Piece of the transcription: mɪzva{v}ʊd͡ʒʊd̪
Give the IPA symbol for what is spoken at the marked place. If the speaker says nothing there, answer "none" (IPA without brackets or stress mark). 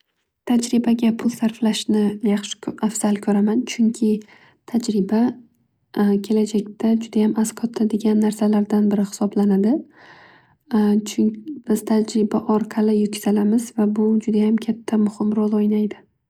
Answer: b